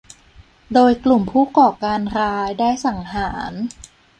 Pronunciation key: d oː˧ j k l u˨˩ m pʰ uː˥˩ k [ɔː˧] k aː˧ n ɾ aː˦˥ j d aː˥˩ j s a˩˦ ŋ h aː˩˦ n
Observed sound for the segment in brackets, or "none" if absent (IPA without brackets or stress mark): ɔː˨˩